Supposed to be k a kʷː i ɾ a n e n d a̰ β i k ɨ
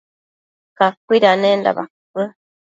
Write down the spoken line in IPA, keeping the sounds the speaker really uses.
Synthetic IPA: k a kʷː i ɾ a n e n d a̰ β a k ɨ